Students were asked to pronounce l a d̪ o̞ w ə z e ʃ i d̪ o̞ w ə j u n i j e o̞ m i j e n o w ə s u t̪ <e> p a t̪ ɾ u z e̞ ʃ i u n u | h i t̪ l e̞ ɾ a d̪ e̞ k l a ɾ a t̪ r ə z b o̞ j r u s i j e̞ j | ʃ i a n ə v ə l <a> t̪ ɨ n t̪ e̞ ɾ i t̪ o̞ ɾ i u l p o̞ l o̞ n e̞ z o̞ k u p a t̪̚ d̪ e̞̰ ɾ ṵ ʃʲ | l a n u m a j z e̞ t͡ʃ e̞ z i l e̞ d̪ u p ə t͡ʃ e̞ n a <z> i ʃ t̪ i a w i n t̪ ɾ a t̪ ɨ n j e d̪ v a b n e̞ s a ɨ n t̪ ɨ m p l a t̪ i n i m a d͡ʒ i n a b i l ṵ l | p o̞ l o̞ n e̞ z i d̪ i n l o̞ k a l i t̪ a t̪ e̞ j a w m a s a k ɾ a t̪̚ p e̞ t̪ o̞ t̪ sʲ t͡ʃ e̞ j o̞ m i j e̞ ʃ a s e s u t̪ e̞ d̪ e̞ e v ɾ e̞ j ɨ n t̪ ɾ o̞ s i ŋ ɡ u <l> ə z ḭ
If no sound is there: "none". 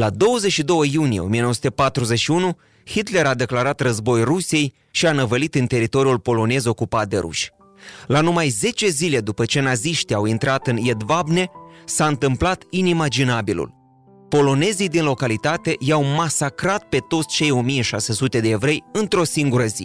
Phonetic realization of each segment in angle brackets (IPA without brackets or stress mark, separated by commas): e, i, z, ɾ